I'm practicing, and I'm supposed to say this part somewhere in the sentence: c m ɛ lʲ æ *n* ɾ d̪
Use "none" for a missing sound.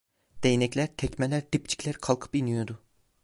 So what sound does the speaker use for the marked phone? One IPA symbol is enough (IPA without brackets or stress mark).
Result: none